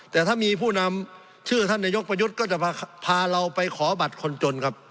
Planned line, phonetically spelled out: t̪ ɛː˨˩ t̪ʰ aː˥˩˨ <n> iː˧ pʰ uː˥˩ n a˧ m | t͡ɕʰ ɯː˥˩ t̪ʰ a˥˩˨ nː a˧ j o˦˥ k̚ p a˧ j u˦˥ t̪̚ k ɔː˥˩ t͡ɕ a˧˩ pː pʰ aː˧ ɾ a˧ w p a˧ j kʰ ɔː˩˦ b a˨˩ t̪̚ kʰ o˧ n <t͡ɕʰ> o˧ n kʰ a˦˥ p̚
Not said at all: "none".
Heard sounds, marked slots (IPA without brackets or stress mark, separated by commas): m, t͡ɕ